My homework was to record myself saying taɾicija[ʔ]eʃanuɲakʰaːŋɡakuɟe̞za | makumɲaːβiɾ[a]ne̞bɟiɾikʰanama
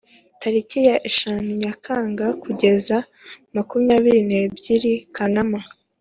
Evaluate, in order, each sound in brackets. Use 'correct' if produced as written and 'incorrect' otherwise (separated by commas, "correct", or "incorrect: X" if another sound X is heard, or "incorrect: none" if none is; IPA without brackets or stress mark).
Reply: correct, incorrect: i